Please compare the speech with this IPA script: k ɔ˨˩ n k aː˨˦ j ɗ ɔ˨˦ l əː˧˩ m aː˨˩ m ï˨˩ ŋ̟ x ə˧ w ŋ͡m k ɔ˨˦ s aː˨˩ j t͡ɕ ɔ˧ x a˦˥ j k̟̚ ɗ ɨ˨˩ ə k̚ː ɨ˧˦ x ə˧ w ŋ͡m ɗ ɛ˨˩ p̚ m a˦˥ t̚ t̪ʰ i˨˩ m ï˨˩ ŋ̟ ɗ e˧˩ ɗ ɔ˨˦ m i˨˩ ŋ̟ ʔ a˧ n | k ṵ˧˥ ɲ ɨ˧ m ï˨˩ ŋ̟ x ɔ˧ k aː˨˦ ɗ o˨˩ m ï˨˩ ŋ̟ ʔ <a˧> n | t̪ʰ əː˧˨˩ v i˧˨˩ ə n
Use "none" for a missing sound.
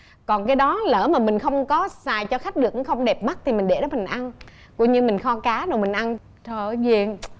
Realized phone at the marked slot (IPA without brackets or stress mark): a˧